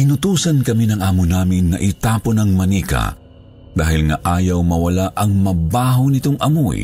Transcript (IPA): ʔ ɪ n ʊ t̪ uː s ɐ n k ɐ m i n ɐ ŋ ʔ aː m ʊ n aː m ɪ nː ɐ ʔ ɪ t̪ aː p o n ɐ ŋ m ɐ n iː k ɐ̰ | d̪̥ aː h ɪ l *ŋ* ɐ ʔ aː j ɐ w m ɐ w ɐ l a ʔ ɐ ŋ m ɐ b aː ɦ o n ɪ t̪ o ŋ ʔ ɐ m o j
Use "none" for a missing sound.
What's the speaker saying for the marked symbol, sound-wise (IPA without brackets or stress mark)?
ŋ